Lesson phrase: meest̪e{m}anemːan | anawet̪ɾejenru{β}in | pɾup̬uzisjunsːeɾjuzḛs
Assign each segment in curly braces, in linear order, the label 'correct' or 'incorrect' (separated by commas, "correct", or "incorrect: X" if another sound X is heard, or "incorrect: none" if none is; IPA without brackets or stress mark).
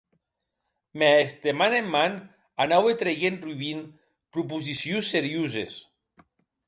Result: correct, correct